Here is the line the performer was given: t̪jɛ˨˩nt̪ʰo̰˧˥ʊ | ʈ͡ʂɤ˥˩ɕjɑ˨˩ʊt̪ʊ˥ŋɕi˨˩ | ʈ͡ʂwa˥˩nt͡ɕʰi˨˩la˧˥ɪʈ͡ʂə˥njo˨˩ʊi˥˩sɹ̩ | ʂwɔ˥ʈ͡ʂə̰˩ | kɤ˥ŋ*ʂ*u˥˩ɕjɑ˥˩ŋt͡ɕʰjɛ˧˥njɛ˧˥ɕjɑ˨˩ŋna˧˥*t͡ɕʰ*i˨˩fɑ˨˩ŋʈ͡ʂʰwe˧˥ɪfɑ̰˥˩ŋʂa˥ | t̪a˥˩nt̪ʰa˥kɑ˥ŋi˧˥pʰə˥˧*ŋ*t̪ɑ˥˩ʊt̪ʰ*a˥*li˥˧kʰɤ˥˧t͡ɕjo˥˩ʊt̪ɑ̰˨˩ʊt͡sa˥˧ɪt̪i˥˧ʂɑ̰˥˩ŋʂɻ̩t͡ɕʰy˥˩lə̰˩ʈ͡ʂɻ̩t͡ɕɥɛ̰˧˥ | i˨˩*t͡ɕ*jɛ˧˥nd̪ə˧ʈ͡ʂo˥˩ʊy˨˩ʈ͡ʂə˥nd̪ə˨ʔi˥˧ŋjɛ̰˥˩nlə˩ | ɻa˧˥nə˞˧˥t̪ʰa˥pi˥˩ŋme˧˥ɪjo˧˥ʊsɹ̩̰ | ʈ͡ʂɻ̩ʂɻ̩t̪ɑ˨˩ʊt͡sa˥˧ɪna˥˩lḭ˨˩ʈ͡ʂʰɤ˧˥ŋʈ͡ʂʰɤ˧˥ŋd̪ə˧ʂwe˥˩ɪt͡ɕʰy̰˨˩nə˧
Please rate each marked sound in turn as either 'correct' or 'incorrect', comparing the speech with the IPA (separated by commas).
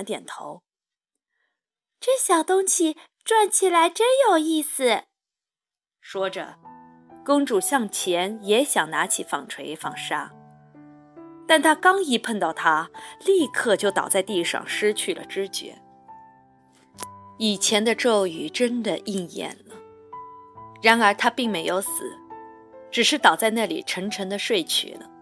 incorrect, correct, incorrect, correct, incorrect